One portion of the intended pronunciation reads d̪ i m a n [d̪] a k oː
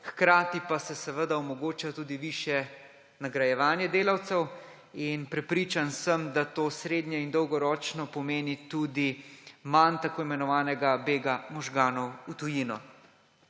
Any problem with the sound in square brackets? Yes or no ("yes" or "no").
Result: yes